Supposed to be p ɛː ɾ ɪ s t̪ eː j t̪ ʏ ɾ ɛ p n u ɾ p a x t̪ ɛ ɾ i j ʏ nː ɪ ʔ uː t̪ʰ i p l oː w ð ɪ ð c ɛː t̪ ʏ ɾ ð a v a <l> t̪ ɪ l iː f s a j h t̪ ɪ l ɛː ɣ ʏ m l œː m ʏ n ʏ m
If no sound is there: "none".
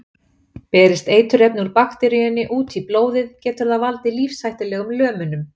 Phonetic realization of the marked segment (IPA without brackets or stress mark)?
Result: l